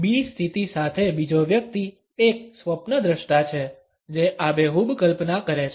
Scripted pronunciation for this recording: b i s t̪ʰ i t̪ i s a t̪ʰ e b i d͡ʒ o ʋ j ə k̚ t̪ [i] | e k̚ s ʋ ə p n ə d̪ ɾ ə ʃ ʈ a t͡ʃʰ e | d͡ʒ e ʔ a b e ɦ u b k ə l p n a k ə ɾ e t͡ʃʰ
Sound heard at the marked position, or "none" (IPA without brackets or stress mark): i